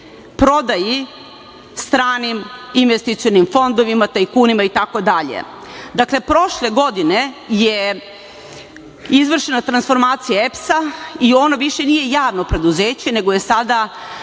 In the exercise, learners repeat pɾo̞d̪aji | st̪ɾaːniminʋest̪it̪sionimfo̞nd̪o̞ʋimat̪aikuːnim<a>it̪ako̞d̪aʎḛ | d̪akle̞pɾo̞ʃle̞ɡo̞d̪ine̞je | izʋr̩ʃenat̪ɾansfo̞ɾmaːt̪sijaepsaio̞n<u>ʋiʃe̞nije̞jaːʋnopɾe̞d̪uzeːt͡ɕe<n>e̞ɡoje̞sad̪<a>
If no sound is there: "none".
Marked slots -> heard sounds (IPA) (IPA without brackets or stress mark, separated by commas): a, o, n, a